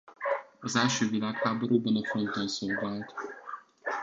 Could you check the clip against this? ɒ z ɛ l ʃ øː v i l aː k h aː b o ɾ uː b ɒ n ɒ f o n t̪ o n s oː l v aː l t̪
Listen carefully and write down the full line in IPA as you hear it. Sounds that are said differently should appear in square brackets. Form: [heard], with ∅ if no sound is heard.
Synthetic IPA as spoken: ɒ z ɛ l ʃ øː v i l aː k h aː b o ɾ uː b ɒ n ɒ f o n t̪ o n s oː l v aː l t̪